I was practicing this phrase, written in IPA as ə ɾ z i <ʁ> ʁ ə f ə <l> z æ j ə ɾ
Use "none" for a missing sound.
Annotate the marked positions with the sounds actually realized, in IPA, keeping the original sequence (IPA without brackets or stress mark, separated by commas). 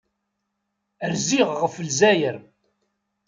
ʁ, l